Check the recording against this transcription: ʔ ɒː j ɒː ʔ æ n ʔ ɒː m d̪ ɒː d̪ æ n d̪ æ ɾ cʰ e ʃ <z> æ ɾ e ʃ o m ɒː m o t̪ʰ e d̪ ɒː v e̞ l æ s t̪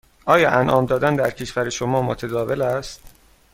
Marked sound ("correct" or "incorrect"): incorrect